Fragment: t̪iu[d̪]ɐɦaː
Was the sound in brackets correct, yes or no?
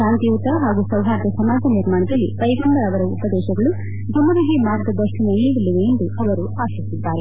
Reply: no